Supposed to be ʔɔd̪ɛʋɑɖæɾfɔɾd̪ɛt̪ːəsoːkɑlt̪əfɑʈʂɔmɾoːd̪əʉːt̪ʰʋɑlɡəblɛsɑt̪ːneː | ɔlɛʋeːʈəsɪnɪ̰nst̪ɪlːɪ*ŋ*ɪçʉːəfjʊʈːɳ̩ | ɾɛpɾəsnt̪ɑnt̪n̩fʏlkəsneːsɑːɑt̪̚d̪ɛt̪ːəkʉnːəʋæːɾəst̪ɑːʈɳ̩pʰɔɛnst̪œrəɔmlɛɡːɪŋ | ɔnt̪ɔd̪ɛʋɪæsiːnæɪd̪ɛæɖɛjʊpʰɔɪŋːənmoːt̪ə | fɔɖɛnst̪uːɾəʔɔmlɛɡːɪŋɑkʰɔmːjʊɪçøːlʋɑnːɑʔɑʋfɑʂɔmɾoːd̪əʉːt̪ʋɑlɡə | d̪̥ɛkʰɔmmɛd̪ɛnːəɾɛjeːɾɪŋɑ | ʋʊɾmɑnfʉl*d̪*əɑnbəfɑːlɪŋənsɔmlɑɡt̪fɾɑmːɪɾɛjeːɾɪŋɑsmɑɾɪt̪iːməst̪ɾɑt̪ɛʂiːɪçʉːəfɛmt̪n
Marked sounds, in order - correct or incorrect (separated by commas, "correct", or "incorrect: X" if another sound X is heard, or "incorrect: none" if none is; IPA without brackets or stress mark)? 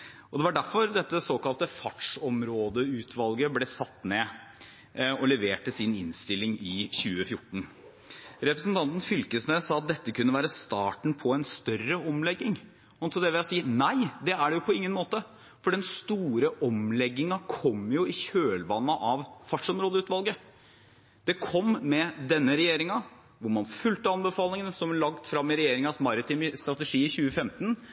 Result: correct, incorrect: t̪